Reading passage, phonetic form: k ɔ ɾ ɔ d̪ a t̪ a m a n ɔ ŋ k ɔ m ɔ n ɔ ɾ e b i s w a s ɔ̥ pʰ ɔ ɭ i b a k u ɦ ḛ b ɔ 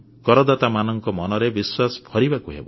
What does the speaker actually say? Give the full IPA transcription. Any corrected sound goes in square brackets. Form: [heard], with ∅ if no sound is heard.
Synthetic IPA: k ɔ ɾ ɔ d̪ a t̪ a m a n ɔ ŋ k ɔ m ɔ n ɔ ɾ e b i s w a s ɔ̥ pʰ ɔ [ɾ] i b a k u ɦ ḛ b ɔ